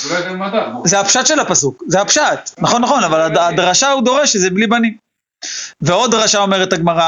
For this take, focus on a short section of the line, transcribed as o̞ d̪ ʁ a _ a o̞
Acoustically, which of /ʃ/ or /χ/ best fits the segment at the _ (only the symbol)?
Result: ʃ